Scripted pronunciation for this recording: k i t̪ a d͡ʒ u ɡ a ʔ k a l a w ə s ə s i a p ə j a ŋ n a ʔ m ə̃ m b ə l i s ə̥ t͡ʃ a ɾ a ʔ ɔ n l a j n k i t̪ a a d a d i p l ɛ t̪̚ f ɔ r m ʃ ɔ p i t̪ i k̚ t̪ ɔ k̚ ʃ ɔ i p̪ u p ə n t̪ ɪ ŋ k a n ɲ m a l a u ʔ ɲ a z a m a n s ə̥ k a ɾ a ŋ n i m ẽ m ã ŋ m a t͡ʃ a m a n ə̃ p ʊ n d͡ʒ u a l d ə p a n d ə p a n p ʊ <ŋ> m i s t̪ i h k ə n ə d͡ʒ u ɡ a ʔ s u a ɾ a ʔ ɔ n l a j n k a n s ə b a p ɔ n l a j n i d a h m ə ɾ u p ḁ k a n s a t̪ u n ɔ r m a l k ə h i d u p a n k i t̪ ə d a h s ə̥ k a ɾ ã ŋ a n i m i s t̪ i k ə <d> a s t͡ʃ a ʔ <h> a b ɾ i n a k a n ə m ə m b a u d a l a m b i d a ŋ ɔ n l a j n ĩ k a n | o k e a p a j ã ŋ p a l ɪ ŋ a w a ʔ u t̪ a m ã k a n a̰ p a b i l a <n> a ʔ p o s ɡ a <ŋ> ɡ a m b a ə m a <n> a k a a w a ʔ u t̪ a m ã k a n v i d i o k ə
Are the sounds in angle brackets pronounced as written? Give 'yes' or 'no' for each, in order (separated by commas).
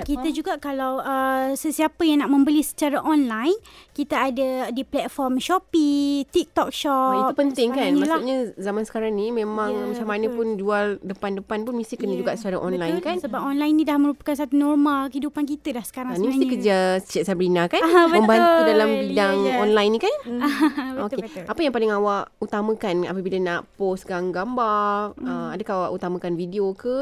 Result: no, no, no, yes, yes, no